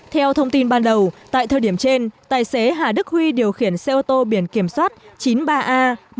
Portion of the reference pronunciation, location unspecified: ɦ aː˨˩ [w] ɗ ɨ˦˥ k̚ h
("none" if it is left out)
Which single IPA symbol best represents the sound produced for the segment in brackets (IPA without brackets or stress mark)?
none